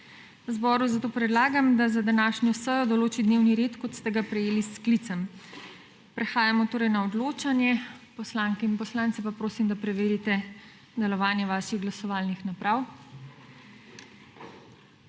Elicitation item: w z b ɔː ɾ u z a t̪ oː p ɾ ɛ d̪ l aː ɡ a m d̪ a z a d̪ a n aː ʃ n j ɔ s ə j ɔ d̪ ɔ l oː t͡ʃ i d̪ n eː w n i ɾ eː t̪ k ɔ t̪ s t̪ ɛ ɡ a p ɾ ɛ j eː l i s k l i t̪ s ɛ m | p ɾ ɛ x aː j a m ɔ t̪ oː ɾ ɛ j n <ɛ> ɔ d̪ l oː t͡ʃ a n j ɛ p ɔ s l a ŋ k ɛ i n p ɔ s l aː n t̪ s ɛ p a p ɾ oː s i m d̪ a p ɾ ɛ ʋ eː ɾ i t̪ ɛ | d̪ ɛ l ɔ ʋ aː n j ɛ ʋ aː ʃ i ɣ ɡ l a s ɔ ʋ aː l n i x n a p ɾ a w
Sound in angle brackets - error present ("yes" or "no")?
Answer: yes